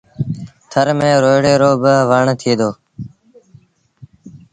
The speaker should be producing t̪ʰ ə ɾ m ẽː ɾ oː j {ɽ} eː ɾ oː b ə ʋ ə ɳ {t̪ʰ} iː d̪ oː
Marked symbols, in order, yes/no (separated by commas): yes, yes